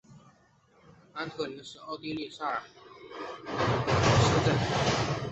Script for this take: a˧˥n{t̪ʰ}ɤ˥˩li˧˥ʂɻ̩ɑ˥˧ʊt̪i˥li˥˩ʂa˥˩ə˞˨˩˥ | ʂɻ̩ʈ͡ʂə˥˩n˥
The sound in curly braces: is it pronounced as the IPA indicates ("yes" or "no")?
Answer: yes